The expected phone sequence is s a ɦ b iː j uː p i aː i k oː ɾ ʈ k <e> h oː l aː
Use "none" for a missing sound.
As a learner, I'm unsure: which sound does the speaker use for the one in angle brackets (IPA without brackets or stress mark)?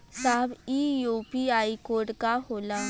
a